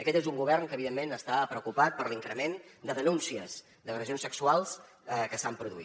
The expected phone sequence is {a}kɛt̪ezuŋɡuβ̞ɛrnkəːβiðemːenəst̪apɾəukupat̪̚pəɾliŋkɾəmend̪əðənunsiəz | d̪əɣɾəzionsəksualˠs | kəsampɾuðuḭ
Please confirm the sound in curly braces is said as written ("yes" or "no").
no